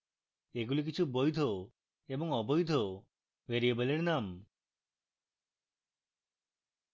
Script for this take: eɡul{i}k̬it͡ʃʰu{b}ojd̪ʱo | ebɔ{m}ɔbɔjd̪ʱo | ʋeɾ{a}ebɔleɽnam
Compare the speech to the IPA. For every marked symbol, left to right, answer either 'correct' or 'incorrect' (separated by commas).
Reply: correct, correct, incorrect, incorrect